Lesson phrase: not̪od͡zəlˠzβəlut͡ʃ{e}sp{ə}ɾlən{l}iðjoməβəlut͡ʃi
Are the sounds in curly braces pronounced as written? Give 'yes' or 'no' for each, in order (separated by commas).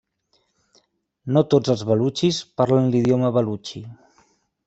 no, no, yes